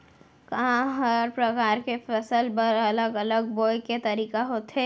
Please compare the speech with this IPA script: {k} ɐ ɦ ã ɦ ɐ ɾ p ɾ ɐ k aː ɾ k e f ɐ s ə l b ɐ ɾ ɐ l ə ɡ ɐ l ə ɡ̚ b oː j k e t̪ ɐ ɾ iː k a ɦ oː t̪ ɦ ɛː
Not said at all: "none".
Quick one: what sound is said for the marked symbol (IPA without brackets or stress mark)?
k